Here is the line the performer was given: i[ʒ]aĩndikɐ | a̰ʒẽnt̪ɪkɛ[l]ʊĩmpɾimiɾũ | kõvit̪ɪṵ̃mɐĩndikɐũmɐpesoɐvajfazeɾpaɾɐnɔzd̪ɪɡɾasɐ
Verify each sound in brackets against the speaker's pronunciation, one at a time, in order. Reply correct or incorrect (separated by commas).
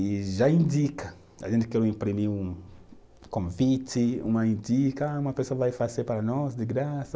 correct, incorrect